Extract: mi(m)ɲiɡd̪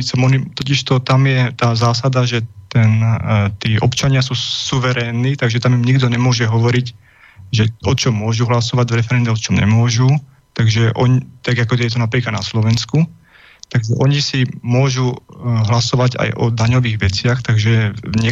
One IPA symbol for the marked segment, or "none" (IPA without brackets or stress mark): m